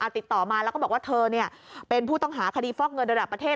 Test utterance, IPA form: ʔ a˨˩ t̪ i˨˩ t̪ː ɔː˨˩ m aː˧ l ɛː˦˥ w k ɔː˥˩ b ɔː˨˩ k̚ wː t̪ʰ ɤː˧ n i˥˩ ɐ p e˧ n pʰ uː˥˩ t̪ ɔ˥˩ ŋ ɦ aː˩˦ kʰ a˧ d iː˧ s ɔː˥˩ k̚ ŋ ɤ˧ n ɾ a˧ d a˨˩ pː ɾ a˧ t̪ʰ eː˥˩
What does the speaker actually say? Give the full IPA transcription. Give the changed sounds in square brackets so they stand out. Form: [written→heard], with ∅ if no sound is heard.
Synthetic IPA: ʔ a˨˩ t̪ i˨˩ t̪ː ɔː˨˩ m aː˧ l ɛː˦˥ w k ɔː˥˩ b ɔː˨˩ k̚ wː t̪ʰ ɤː˧ n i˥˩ ɐ p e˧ n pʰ uː˥˩ t̪ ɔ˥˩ ŋ ɦ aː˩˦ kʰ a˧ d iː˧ [s→f] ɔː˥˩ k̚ ŋ ɤ˧ n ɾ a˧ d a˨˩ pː ɾ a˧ t̪ʰ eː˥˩